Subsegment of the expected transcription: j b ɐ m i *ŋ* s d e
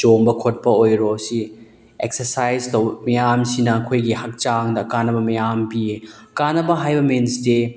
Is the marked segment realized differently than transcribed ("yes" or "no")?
yes